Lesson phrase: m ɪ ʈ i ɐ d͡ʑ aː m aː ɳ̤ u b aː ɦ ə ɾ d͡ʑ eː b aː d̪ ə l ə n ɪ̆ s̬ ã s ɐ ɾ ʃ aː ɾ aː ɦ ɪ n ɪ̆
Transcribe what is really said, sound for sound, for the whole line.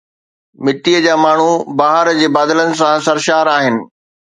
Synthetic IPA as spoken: m ɪ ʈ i ə d͡ʑ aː m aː ɳ̤ u b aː ɦ ə ɾ d͡ʑ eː b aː d̪ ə l ə n ɪ̆ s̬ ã s ɐ ɾ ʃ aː ɾ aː ɦ ɪ n ɪ̆

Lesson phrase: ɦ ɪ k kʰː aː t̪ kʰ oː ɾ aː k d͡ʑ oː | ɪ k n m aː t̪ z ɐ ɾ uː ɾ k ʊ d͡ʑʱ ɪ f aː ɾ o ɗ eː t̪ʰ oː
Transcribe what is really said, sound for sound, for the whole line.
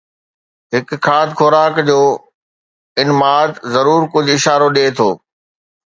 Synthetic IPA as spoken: ɦ ɪ k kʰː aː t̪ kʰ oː ɾ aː k d͡ʑ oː | ɪ n m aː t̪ z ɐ ɾ uː ɾ k ʊ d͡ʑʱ ɪ ʃ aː ɾ o ɗ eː t̪ʰ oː

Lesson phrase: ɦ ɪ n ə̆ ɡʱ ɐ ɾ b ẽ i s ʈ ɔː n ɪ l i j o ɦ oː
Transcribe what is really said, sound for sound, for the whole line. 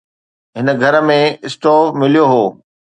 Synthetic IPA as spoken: ɦ ɪ n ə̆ ɡʱ ɐ ɾ m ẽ ɪ s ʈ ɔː m ɪ l i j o ɦ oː

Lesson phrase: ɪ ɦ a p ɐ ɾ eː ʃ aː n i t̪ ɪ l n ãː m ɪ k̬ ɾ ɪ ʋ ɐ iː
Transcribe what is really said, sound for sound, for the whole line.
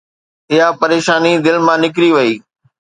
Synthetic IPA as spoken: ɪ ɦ a p ɐ ɾ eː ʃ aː n i d̪ ɪ l m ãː n ɪ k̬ ɾ i ʋ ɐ iː

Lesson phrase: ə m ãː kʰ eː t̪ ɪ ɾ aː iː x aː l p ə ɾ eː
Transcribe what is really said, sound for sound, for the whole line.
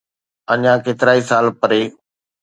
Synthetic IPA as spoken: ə ɲ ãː k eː t̪ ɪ ɾ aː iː s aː l p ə ɾ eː

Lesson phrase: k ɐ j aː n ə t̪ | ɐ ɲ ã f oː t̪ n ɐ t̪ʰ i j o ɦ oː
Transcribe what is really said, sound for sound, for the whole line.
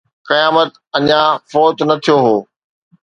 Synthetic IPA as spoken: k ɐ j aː m ə t̪ | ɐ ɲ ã f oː t̪ n ɐ t̪ʰ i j o ɦ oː

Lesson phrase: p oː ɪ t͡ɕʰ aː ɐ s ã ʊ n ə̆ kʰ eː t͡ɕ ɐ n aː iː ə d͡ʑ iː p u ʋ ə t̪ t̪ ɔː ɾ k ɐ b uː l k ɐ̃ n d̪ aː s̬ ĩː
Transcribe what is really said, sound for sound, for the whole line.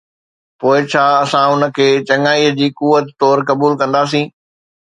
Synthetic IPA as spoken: p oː ɪ t͡ɕʰ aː ɐ s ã ʊ n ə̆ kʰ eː t͡ɕ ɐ ŋ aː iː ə d͡ʑ iː k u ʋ ə t̪ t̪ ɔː ɾ k ɐ b uː l k ɐ̃ n d̪ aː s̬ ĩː

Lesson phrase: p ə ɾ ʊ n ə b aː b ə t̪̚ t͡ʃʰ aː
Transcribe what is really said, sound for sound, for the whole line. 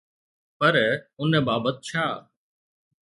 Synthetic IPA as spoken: p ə ɾ ʊ n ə b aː b ə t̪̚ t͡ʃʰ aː

